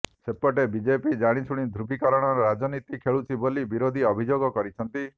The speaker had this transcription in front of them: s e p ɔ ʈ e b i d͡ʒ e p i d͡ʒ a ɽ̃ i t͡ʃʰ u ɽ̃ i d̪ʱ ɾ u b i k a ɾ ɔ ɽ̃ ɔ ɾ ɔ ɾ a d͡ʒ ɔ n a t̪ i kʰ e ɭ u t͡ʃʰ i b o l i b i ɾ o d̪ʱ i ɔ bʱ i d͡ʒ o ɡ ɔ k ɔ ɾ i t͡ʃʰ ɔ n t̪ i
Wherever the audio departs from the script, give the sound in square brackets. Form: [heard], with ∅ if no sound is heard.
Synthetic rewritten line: s e p ɔ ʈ e b i d͡ʒ e p i d͡ʒ a ɽ̃ i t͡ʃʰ u ɽ̃ i d̪ʱ ɾ u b i k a ɾ ɔ ɽ̃ ɔ ɾ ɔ ɾ a d͡ʒ ɔ n [i] t̪ i kʰ e ɭ u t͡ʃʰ i b o l i b i ɾ o d̪ʱ i ɔ bʱ i d͡ʒ o ɡ ɔ k ɔ ɾ i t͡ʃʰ ɔ n t̪ i